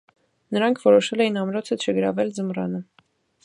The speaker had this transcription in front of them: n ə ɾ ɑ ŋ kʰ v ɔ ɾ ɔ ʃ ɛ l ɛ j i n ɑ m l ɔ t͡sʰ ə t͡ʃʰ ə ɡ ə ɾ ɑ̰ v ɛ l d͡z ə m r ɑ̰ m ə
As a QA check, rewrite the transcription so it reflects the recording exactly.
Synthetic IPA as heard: n ə ɾ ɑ ŋ kʰ v ɔ ɾ ɔ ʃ ɛ l ɛ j i n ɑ m ɾ ɔ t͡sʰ ə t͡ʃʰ ə ɡ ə ɾ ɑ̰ v ɛ l d͡z ə m r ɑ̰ n ə